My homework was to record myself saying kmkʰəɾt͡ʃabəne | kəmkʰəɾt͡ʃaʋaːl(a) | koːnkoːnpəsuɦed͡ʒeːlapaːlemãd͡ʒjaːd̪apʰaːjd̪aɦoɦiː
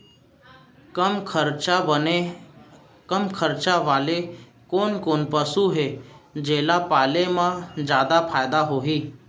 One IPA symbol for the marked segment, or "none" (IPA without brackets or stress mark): e